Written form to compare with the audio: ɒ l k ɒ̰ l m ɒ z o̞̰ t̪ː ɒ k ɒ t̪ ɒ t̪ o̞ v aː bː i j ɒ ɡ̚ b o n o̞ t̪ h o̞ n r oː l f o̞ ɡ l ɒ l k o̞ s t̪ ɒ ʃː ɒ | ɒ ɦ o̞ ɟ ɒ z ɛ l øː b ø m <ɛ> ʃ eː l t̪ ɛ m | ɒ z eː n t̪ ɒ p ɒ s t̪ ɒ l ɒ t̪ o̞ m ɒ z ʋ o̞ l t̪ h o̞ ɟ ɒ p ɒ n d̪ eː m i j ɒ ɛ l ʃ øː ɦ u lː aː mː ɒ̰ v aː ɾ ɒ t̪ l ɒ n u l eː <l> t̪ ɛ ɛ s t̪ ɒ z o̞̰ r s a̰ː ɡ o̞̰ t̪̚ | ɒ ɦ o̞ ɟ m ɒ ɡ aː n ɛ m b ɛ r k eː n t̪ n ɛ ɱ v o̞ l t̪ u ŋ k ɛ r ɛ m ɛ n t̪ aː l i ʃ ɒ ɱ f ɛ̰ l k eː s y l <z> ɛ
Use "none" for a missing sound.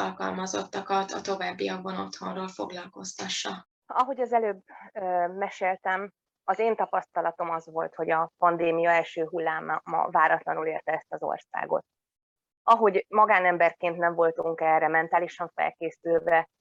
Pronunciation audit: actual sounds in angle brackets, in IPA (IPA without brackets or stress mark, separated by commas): ɛ, r, v